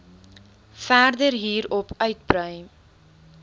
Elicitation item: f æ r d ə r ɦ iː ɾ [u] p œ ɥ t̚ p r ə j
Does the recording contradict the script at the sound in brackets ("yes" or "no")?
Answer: yes